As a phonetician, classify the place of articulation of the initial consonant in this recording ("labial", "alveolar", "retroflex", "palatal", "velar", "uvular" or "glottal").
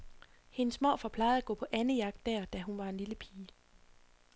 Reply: glottal